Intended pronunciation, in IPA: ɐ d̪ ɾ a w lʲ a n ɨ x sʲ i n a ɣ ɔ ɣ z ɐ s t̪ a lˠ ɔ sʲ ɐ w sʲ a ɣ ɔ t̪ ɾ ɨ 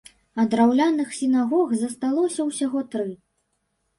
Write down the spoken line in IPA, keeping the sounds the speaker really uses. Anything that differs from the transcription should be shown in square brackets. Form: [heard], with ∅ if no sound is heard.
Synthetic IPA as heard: ɐ d̪ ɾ a w lʲ a n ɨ x sʲ i n a ɣ ɔ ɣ z ɐ s t̪ a lˠ ɔ sʲ ɐ w sʲ a ɣ ɔ t̪ ɾ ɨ